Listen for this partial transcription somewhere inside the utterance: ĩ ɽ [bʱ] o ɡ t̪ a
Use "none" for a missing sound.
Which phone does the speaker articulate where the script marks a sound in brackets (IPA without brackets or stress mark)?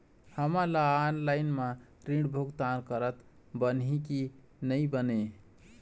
bʱ